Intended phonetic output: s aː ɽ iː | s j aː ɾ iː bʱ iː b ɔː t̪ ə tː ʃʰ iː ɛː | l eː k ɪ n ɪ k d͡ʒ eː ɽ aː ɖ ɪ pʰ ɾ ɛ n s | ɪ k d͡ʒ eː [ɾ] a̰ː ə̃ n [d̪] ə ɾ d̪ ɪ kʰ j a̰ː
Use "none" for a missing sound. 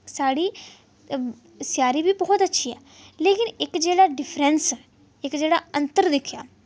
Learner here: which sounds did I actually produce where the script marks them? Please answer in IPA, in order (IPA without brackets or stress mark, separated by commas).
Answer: ɽ, t̪